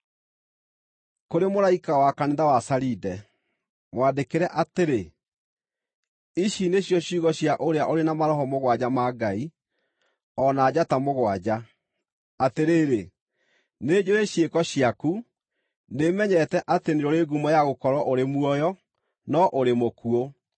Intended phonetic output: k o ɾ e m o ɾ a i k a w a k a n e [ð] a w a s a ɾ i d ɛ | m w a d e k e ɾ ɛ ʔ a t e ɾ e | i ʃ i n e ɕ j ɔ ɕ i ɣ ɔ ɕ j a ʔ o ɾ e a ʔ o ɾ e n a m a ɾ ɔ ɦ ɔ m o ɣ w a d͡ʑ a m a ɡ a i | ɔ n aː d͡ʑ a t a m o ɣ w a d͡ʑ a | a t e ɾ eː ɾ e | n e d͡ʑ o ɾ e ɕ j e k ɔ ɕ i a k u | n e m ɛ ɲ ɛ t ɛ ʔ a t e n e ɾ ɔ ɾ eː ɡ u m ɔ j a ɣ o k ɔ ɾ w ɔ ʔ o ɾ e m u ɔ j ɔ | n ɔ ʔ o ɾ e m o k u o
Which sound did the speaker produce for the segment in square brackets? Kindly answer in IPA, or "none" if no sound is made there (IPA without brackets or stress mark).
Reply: ð